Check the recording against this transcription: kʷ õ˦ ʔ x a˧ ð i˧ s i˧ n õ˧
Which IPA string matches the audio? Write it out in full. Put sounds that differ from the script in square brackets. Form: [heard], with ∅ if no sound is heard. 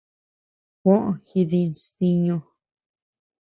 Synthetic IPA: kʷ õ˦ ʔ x [i˧] ð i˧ s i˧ [ɲ] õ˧